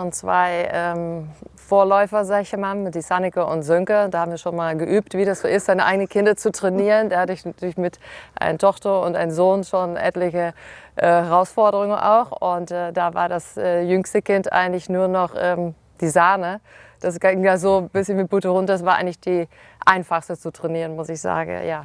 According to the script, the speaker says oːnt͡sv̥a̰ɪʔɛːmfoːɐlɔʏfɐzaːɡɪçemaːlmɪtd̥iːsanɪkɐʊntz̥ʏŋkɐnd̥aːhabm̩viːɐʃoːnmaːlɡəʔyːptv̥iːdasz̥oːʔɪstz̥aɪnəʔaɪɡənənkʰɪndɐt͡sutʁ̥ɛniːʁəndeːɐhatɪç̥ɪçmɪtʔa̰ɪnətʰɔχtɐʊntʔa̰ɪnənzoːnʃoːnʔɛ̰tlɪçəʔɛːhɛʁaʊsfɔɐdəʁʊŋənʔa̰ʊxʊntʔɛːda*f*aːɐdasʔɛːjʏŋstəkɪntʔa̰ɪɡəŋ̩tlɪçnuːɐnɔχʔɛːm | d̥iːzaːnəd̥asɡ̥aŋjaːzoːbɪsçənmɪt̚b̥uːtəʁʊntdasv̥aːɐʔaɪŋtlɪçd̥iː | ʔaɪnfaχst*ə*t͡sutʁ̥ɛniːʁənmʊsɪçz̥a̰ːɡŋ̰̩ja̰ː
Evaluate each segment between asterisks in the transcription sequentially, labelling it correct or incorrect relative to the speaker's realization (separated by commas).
incorrect, correct